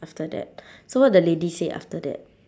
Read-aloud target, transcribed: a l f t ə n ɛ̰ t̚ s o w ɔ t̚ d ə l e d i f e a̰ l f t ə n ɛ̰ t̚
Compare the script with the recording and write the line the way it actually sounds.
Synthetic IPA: a f t ə d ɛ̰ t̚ s o w ɔ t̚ d ə l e d i s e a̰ f t ə d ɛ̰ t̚